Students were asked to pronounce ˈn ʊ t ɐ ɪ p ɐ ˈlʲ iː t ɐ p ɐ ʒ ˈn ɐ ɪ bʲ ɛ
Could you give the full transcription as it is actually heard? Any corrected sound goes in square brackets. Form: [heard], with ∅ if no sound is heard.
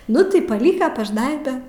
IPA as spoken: ˈn ʊ t ɐ ɪ p ɐ ˈlʲ iː [k] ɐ p ɐ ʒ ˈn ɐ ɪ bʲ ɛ